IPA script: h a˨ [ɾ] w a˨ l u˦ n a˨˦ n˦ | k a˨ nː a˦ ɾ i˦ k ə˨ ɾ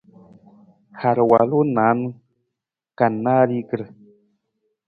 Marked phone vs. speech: correct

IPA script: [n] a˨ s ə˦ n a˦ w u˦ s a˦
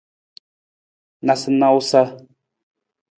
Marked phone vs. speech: correct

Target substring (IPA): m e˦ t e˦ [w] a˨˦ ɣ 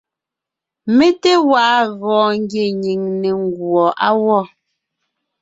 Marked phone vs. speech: correct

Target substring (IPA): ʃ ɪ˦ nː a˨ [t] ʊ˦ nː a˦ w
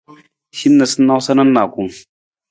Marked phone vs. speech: incorrect: s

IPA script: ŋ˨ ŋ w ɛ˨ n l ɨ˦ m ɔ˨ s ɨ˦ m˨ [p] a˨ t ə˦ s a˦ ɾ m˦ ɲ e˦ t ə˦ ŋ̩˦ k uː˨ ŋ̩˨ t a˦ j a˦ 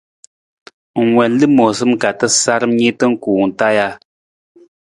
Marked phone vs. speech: incorrect: k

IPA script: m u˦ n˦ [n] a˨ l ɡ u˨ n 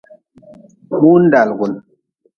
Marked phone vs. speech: incorrect: d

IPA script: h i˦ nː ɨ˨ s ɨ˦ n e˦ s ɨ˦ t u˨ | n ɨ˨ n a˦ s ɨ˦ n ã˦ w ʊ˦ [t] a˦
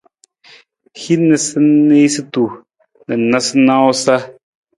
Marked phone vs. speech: incorrect: s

